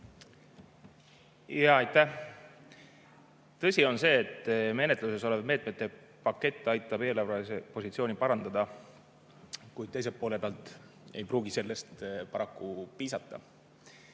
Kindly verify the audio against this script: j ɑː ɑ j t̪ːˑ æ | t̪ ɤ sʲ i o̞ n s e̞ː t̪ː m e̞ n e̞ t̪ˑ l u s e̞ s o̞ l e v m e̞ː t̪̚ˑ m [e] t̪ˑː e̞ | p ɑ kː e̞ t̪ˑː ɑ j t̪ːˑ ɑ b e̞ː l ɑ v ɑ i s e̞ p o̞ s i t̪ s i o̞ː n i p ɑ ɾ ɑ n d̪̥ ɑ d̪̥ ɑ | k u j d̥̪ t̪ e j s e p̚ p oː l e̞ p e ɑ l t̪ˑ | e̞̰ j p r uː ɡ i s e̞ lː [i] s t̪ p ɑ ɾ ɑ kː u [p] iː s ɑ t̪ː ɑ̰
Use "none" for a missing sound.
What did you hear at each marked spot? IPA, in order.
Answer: e, e, p

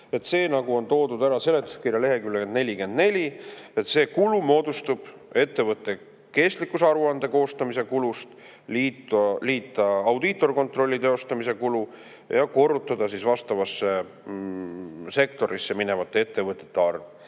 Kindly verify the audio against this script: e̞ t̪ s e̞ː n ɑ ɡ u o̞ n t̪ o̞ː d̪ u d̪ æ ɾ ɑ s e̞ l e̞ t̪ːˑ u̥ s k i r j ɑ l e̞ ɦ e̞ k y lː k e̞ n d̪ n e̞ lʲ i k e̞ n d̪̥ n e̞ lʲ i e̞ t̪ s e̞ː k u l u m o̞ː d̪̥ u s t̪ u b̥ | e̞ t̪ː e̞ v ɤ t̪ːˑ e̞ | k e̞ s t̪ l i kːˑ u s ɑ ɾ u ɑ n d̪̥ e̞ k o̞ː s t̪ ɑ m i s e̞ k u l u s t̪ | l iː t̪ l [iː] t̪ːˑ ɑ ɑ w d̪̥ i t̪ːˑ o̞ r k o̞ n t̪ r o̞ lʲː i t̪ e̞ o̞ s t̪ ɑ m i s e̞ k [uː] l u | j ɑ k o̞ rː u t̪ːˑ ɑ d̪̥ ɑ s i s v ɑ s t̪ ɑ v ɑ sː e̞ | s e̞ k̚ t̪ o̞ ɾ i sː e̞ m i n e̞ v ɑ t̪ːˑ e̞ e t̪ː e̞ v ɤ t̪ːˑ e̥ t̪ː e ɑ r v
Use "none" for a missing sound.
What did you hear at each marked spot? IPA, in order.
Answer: iː, u

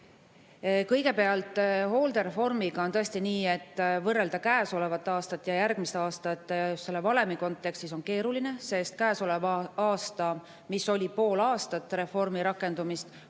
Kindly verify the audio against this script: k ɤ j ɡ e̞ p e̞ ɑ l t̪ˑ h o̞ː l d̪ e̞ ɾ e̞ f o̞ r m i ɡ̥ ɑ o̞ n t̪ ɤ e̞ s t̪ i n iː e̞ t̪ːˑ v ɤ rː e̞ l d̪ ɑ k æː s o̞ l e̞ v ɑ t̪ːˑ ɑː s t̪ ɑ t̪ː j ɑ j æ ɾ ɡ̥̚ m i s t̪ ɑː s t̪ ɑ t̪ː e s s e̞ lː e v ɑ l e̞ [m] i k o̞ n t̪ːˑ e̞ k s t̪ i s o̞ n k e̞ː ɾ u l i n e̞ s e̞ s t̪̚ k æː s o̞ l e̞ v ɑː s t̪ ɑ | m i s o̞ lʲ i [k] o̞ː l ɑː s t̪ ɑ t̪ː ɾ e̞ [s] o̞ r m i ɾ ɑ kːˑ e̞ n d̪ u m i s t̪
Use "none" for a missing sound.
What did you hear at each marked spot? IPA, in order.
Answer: m, p, f

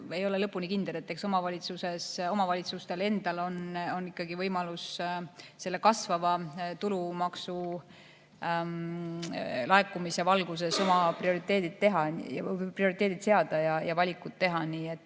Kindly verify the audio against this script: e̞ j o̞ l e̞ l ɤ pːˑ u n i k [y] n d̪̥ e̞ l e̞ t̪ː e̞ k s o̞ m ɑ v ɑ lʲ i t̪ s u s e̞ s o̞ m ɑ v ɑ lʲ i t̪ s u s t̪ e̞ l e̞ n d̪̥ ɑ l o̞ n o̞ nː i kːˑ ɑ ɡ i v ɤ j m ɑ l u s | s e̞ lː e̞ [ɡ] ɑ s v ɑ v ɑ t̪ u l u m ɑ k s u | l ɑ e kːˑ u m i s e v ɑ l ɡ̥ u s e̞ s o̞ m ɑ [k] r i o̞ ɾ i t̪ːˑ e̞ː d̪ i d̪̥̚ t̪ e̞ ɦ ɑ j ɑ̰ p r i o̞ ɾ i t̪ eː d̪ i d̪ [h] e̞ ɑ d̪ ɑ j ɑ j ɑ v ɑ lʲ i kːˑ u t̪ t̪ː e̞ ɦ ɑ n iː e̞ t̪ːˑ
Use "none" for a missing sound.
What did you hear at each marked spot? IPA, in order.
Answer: i, k, p, s

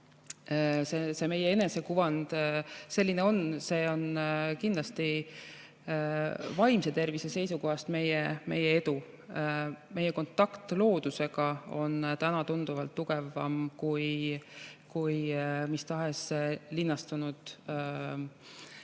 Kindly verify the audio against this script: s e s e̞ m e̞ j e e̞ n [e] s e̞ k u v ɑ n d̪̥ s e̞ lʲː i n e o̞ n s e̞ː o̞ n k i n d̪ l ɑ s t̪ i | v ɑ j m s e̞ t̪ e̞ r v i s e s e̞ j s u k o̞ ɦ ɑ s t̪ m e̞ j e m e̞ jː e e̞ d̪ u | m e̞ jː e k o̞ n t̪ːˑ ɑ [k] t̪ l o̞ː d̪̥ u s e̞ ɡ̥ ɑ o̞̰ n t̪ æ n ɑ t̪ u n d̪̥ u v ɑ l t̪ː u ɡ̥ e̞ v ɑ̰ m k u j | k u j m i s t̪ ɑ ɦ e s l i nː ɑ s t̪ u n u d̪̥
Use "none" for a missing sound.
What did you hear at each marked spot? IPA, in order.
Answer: e, k

